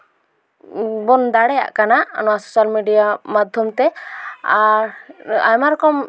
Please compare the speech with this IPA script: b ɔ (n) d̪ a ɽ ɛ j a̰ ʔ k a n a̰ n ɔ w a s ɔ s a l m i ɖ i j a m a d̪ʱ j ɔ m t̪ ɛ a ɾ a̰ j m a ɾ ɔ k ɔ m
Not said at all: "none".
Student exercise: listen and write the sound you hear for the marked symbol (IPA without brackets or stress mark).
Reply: n